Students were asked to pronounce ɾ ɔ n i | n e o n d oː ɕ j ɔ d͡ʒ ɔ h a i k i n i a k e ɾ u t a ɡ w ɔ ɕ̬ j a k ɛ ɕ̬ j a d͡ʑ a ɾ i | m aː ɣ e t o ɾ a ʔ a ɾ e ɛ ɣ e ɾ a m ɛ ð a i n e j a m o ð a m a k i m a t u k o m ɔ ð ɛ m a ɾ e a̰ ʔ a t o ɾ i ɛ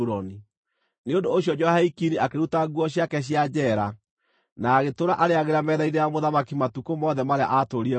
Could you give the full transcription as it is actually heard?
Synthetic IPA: ɾ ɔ n i | n e o n d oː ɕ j ɔ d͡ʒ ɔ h a i k i n i a k e ɾ u t a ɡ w ɔ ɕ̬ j a k ɛ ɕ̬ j a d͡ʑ ɛ ɾ a | n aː ɣ e t o ɾ a ʔ a ɾ e a ɣ e ɾ a m ɛ ð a i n e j a m o ð a m a k i m a t u k o m ɔ ð ɛ m a ɾ e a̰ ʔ a t o ɾ i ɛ